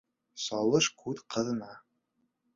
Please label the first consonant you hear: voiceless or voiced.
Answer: voiceless